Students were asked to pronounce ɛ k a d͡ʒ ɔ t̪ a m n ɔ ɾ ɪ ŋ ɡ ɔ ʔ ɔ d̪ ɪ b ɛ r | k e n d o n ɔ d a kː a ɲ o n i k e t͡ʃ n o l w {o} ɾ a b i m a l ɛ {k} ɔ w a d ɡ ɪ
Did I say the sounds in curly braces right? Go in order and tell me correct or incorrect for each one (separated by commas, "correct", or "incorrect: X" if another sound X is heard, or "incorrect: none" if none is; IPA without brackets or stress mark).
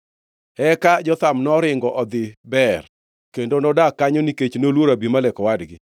correct, correct